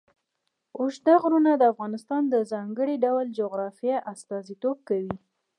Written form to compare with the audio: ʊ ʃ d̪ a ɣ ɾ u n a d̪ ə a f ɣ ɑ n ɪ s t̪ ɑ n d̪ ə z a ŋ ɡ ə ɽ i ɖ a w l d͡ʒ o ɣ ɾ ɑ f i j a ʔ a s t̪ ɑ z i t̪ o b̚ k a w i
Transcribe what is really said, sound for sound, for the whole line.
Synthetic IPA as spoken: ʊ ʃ d̪ a ɣ ɾ u n a d̪ ə a f ɣ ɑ n ɪ s t̪ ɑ n d̪ ə z ɑ ŋ ɡ ə ɽ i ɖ a w l d͡ʒ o ɣ ɾ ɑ f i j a ʔ a s t̪ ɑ z i t̪ o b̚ k a w i